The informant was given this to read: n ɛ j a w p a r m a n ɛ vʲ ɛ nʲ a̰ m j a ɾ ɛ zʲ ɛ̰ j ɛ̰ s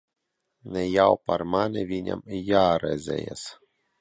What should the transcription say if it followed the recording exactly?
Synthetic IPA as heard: n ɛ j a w p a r m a n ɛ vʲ i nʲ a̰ m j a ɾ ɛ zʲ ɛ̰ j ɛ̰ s